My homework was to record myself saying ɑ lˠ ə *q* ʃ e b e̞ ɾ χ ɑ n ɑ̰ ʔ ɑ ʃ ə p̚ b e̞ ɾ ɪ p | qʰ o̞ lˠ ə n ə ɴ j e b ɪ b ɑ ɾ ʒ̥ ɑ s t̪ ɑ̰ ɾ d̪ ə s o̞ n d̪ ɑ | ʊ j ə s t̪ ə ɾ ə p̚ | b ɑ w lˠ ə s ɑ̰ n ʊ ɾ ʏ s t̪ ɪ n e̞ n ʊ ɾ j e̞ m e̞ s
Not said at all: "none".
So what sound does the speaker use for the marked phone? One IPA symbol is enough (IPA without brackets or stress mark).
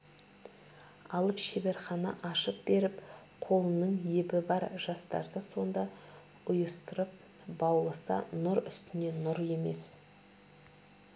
p